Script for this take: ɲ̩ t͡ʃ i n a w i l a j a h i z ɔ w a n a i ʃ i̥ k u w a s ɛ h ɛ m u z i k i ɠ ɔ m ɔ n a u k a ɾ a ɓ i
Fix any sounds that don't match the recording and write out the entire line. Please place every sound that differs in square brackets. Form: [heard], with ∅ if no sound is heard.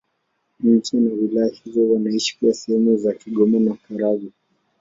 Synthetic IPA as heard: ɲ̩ t͡ʃ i n a w i l a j a h i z ɔ w a n a i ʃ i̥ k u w a s ɛ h ɛ m u z [a] k i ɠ ɔ m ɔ n a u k a ɾ a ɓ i